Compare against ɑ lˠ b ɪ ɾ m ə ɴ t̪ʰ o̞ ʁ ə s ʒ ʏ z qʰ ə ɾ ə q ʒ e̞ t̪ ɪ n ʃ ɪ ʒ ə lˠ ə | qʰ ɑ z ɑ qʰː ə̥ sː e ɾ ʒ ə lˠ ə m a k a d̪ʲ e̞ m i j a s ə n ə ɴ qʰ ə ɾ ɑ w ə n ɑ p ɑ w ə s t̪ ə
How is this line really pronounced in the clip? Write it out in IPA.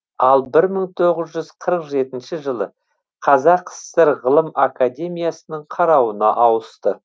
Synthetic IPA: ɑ lˠ b ɪ ɾ m ə ɴ t̪ʰ o̞ ʁ ə z ʒ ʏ z qʰ ə ɾ ə q ʒ e̞ t̪ ɪ n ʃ ɪ ʒ ə lˠ ə | qʰ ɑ z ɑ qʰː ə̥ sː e ɾ ʁ ə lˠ ə m a k a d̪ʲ e̞ m i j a s ə n ə ɴ qʰ ɑ ɾ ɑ w ə n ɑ ʔ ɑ w ə s t̪ ə